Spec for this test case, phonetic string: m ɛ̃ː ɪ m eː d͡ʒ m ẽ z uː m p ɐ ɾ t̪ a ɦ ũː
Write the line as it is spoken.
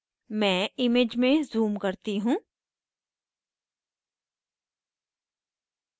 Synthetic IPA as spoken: m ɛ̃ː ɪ m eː d͡ʒ m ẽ z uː m k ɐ ɾ t̪ i ɦ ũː

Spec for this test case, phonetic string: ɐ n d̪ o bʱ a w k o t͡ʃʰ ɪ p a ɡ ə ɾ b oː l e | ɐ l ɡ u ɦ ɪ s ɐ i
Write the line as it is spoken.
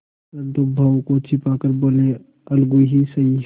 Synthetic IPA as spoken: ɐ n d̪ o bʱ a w k o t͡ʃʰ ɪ p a k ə ɾ b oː l e | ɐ l ɡ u ɦ i s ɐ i

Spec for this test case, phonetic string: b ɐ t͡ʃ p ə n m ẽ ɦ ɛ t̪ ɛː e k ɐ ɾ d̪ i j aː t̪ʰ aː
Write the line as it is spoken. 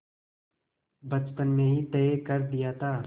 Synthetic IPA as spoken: b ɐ t͡ʃ p ə n m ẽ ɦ i t̪ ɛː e k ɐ ɾ d̪ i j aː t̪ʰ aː

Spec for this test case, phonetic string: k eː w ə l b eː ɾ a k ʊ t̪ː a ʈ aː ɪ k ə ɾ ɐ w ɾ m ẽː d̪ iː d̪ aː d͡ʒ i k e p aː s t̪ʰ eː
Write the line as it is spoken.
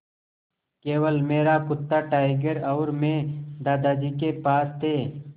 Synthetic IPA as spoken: k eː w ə l m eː ɾ a k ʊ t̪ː a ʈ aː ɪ ɡ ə ɾ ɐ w ɾ m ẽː d̪ aː d̪ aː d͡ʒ i k e p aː s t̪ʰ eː

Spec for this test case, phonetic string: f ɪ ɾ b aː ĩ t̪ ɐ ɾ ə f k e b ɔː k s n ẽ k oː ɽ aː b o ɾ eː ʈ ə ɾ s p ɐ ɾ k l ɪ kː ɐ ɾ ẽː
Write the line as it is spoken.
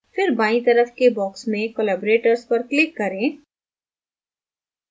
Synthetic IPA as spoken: f ɪ ɾ b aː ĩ t̪ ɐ ɾ ə f k e b ɔː k s m ẽ k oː l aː b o ɾ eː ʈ ə ɾ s p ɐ ɾ k l ɪ kː ɐ ɾ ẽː

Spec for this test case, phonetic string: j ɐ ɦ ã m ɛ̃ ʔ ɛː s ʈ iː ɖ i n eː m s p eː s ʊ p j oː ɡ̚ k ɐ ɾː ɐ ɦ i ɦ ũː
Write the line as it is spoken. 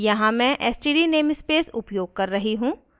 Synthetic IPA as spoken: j ɐ ɦ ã m ɛ̃ ʔ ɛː s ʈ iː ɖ i n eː m s p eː s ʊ p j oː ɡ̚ k ɐ ɾː ɐ ɦ i ɦ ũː

